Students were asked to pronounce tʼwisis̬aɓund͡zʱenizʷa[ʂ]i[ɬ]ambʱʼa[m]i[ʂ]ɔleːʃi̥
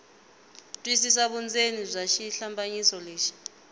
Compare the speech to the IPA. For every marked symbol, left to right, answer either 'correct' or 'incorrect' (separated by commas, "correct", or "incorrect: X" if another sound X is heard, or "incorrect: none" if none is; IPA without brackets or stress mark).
incorrect: ʃ, correct, incorrect: ɲ, incorrect: s